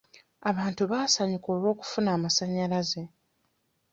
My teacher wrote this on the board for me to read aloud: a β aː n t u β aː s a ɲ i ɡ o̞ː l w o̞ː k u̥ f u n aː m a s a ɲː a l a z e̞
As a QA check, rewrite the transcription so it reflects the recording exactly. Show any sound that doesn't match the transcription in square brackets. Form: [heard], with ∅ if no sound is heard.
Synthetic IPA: a β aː n t u β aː s a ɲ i [k] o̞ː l w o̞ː k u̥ f u n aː m a s a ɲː a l a z e̞